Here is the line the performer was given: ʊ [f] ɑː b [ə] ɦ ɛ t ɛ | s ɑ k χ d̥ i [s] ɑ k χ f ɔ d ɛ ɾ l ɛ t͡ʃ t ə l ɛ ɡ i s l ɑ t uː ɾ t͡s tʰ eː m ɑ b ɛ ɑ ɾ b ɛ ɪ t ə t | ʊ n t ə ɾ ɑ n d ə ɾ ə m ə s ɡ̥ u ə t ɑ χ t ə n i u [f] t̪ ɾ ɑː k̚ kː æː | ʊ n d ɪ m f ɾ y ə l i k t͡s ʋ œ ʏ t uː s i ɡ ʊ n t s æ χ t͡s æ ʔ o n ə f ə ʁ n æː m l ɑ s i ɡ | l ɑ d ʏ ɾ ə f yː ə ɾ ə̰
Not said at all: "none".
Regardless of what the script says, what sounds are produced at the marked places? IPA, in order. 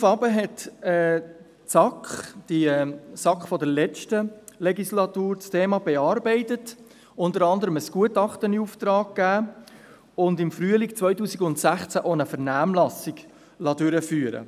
f, ə, s, f

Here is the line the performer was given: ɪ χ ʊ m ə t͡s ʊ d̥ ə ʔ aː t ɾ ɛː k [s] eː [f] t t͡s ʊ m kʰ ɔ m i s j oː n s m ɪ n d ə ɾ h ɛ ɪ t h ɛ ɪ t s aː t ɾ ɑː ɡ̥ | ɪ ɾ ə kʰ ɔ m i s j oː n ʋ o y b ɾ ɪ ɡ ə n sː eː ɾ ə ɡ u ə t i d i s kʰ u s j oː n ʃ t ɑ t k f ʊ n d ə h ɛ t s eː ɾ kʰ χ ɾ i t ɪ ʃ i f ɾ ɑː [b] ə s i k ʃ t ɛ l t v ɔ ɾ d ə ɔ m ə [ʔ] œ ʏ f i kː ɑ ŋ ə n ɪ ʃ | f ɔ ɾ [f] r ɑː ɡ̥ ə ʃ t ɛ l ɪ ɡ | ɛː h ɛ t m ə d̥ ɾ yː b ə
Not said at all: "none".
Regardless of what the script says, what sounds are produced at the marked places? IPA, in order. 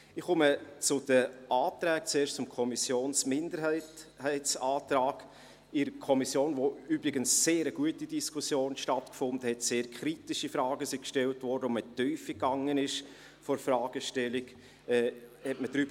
t͡s, ʃ, ɡ, t, f

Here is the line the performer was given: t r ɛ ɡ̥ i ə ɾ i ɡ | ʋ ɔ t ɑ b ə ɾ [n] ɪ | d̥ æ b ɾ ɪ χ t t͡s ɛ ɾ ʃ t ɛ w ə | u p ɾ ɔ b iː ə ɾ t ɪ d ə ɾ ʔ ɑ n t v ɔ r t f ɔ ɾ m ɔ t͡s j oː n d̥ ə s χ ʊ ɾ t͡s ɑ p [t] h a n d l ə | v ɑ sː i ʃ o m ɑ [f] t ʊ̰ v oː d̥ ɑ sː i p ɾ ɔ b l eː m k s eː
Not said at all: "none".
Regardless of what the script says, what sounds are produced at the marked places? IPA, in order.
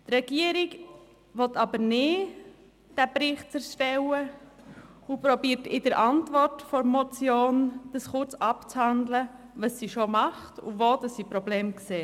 n, t͡s, χ

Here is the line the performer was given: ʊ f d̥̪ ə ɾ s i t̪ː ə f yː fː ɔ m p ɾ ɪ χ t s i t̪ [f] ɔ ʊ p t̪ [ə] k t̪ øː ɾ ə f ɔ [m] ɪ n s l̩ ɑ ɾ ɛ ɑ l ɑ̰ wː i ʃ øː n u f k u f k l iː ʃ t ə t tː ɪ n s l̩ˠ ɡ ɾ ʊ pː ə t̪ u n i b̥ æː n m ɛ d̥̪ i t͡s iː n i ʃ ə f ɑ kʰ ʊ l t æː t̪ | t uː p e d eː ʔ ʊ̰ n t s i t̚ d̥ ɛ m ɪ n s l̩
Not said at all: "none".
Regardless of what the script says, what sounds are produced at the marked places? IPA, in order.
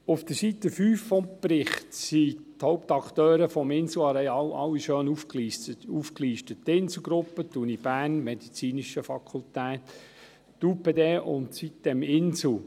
h, ɑ, m

